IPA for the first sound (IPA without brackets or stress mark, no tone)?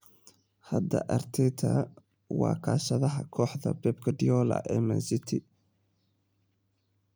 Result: h